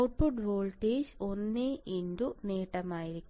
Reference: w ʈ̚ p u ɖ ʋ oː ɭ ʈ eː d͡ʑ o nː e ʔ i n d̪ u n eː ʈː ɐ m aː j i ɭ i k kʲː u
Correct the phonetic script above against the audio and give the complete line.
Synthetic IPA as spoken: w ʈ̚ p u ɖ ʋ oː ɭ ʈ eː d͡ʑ o nː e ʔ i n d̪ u n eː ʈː ɐ m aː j i ɾ i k kʲː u